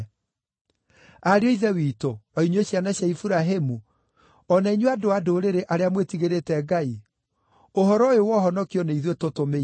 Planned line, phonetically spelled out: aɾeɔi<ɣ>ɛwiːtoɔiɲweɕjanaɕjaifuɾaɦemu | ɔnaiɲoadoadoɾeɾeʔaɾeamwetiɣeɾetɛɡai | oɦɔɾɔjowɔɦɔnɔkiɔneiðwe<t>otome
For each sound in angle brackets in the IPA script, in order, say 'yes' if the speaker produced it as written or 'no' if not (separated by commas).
no, yes